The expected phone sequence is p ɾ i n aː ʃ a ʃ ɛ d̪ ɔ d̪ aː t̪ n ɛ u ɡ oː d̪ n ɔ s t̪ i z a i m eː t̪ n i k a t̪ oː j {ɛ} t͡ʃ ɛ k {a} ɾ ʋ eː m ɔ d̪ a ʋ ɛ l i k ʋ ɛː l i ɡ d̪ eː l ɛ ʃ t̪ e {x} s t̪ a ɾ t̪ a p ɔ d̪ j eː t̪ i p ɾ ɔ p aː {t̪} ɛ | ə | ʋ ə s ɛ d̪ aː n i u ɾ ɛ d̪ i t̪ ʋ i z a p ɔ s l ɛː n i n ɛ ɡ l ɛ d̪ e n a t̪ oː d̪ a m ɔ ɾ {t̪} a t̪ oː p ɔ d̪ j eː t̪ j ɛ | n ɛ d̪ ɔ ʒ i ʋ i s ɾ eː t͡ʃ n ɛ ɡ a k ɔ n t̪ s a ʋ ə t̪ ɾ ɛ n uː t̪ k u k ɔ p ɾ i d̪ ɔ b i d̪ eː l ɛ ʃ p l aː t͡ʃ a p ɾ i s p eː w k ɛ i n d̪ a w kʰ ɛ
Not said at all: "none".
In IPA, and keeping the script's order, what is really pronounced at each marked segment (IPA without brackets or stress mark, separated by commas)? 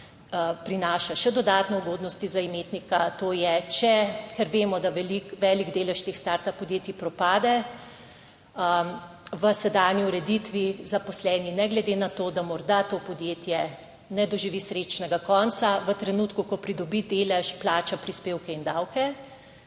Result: ɛ, ɛ, x, d̪, d̪